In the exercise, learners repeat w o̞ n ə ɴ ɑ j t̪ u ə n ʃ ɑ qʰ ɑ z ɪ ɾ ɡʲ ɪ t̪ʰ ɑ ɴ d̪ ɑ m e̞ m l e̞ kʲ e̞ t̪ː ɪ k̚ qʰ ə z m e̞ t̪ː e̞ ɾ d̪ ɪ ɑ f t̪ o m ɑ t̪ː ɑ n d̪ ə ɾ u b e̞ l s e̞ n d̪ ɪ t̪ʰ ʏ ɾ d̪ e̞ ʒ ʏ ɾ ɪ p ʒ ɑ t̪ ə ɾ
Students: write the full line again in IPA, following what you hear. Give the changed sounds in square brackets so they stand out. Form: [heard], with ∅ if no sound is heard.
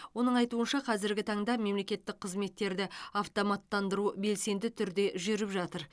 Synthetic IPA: w o̞ n ə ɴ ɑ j t̪ u ə n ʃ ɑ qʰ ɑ z ɪ ɾ ɡʲ ɪ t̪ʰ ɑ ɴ d̪ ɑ m e̞ m l e̞ kʲ e̞ t̪ː ɪ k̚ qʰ ə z m e̞ t̪ː e̞ ɾ d̪ ɪ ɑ f t̪ o m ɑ t̪ː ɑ n d̪ ə ɾ u b e̞ l s e̞ n d̪ ɪ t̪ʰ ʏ ɾ d̪ e̞ ʒ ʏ ɾ ɪ p ʒ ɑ t̪ ə ɾ